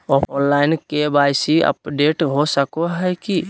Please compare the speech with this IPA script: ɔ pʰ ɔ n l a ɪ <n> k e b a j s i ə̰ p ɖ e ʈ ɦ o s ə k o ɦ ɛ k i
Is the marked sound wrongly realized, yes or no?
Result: no